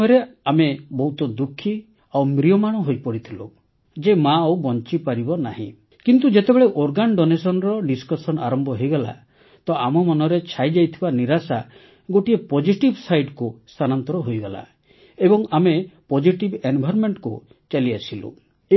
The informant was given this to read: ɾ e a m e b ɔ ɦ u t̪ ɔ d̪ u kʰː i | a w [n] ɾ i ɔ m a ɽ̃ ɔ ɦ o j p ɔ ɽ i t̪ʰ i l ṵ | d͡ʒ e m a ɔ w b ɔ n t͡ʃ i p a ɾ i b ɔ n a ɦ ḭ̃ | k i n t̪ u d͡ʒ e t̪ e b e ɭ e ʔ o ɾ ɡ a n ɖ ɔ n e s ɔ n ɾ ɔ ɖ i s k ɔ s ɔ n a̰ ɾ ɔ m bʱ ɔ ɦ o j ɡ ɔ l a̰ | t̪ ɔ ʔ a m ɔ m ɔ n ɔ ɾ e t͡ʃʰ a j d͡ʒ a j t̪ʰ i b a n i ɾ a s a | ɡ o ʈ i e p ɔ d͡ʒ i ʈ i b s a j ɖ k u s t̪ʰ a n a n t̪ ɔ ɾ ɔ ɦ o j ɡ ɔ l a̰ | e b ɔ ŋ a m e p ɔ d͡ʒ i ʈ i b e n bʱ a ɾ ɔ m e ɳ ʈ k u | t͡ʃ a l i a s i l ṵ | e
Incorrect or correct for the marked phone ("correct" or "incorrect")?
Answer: incorrect